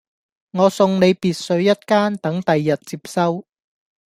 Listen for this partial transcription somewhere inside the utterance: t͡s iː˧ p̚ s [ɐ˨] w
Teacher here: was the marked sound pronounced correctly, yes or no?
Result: no